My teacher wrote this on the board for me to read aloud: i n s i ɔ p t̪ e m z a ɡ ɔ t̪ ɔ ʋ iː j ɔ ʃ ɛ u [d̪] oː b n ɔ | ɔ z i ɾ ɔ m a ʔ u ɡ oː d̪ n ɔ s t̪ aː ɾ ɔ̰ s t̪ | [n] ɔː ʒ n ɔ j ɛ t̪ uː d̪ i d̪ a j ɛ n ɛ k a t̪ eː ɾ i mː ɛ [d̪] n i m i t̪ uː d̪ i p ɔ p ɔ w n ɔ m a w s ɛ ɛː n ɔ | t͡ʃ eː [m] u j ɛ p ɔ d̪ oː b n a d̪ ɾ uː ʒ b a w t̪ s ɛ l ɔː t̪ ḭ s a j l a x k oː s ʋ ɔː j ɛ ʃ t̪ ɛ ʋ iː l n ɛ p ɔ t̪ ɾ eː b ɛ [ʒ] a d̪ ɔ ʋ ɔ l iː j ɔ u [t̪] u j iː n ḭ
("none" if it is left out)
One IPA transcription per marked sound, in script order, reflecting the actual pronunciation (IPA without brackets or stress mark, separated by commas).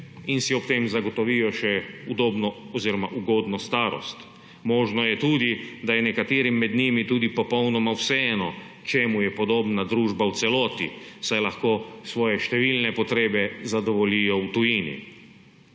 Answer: d̪, m, d̪, m, z, t̪